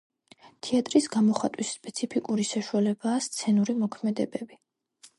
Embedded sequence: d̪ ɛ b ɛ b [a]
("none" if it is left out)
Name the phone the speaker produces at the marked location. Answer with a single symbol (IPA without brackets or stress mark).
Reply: i